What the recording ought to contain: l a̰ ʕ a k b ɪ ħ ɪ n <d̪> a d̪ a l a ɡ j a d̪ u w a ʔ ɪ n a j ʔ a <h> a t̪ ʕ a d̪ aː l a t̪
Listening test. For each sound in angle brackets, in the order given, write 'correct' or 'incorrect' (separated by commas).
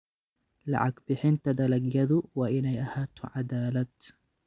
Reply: incorrect, correct